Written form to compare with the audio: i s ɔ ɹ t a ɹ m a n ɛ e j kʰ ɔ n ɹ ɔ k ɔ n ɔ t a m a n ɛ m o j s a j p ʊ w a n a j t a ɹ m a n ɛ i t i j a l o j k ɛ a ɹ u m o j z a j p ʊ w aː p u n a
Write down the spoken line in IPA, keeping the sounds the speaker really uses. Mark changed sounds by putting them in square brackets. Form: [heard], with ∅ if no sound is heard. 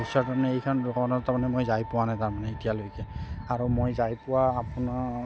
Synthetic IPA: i s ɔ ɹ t a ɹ m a n ɛ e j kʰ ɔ n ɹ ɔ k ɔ n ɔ t a m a n ɛ m o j [z] a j p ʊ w a n a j t a ɹ m a n ɛ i t i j a l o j k ɛ a ɹ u m o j z a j p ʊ w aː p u n a